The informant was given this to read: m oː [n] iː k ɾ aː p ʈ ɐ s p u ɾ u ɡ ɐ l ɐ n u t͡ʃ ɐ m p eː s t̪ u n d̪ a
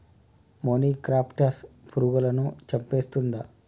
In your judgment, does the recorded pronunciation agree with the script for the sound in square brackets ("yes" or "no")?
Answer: yes